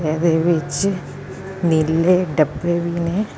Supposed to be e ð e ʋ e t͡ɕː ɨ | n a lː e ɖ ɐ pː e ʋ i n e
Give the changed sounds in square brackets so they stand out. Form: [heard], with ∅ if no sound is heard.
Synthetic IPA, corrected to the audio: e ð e ʋ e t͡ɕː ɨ | n [i] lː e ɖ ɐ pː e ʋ i n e